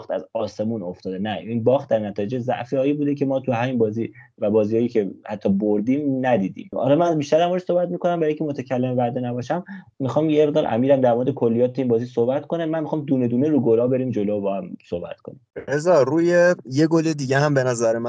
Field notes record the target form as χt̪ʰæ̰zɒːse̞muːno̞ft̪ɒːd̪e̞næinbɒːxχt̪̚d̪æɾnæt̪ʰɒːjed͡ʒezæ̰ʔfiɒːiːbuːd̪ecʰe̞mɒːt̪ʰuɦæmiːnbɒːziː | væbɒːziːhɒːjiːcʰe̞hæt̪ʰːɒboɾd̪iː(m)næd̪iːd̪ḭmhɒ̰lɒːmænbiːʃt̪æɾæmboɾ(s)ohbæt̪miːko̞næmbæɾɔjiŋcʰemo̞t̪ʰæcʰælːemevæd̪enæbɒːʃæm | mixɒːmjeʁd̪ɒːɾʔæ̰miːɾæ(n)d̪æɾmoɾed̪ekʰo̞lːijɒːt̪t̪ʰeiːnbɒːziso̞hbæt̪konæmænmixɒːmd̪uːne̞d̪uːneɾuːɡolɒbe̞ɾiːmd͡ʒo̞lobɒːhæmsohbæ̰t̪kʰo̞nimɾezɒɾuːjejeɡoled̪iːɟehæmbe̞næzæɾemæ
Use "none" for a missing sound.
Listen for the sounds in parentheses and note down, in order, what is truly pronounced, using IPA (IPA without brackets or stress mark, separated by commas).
m, s, m